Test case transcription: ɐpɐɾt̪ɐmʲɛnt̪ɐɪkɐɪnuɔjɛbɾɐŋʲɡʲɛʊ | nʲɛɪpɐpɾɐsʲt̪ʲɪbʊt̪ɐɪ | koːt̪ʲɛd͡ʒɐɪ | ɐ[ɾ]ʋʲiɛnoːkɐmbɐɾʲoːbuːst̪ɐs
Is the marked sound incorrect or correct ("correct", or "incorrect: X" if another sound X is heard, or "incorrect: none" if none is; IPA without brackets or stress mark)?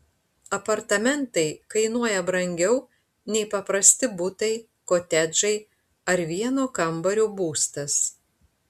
correct